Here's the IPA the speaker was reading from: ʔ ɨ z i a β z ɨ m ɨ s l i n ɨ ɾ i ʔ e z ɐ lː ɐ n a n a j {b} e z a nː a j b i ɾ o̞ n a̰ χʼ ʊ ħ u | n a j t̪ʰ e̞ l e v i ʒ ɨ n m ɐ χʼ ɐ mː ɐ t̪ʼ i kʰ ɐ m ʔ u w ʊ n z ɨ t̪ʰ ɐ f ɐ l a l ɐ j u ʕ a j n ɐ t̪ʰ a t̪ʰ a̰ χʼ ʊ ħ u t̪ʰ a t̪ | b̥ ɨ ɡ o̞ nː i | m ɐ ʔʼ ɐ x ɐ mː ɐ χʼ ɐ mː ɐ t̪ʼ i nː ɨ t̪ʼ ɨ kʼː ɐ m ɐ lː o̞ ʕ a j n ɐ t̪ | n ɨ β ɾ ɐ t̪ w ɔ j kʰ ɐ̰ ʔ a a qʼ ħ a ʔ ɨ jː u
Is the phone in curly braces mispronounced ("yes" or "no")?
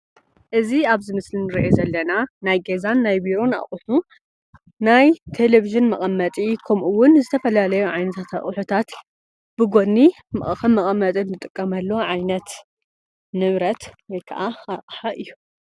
yes